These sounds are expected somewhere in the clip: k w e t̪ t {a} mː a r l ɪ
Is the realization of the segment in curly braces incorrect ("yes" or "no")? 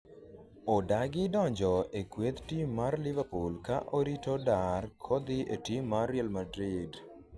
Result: yes